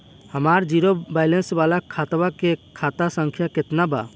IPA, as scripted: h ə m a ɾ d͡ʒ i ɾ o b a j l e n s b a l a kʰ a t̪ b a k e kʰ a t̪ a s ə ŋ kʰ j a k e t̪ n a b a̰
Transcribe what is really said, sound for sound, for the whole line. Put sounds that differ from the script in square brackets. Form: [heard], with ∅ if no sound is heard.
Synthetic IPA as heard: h ə m a ɾ d͡ʒ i ɾ o b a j l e n s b a l a kʰ a t̪ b a k e kʰ a t̪ a s ə ŋ kʰ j a k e t̪ n a b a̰